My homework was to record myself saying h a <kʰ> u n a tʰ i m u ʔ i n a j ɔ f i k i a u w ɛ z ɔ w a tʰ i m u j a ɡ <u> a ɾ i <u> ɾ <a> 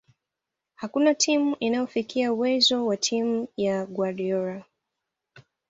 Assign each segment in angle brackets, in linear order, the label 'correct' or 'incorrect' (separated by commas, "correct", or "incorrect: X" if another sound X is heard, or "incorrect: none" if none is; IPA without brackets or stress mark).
incorrect: k, incorrect: w, incorrect: ɔ, correct